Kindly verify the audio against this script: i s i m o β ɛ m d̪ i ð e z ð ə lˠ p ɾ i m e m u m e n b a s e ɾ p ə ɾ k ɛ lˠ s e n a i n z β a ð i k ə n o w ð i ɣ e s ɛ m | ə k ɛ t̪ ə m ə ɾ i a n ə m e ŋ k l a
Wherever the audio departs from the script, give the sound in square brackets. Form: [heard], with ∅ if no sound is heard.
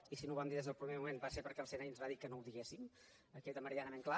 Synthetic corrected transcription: i s i [n] o β [a] m d̪ i ð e z ð ə lˠ p ɾ i m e m u m e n b a s e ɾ p ə ɾ k ɛ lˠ s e n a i n z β a ð i k ə n o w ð i ɣ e s [i] m | ə k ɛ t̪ ə m ə ɾ i a n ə m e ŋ k l a